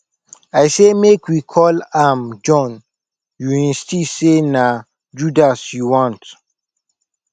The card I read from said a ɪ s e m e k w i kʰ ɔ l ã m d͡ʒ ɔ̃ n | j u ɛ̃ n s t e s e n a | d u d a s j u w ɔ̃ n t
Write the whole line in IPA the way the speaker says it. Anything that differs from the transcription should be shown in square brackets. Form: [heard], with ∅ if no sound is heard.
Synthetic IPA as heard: a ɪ s e m e k w i kʰ ɔ l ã m d͡ʒ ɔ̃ n | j u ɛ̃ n s t [i] s e n a | [d͡ʒ] u d a s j u w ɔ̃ n t